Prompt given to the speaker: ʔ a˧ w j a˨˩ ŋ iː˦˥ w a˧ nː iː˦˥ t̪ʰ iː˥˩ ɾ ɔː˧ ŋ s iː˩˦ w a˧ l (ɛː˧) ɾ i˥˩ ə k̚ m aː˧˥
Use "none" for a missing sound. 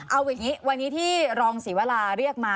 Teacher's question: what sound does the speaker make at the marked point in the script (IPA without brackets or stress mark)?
aː˧